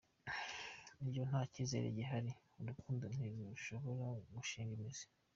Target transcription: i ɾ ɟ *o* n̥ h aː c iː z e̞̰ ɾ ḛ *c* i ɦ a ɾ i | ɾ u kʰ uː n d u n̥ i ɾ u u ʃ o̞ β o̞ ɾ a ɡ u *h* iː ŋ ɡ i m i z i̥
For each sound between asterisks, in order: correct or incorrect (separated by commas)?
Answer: correct, incorrect, incorrect